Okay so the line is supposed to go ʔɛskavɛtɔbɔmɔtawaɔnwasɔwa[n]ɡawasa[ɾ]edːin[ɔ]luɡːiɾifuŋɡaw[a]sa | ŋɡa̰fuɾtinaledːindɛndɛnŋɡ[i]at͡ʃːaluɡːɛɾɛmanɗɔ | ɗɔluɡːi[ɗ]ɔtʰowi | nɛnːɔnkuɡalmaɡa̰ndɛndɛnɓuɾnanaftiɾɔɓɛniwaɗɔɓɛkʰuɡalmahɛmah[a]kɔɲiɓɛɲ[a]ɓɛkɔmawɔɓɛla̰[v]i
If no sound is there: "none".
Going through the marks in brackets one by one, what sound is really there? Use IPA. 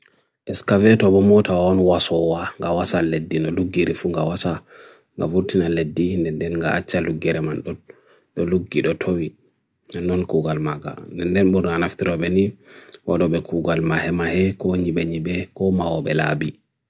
ŋ, l, ɔ, a, a, ɗ, ɛ, i, b

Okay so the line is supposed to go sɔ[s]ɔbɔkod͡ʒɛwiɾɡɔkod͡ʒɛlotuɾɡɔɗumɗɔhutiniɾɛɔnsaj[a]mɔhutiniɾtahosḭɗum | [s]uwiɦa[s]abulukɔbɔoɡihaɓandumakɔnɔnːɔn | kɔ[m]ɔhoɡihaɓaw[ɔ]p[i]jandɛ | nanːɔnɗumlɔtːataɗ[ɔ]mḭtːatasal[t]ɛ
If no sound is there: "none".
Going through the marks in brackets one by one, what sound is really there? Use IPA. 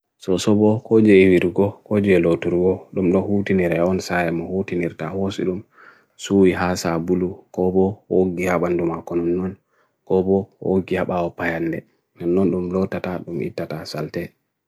s, ɛ, s, s, b, ɔ, a, u, t

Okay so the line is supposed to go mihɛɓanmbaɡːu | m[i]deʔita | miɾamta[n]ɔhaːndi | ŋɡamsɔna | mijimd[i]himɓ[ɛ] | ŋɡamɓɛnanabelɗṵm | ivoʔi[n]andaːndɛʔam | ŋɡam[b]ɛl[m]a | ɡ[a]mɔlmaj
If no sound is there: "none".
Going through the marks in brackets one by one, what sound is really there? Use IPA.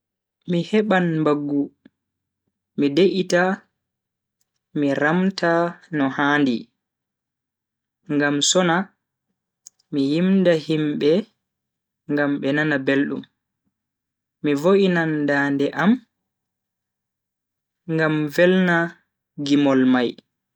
i, n, a, ɛ, n, v, n, i

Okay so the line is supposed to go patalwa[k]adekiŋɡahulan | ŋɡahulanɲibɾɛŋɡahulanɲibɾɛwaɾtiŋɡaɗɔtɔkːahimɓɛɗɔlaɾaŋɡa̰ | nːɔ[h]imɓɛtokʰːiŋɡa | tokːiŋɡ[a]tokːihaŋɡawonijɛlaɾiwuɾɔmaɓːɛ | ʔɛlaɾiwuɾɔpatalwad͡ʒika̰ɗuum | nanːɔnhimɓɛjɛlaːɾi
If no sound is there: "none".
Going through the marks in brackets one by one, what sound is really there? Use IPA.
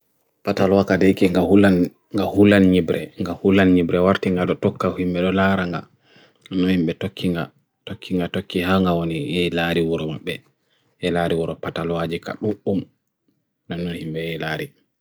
k, h, a

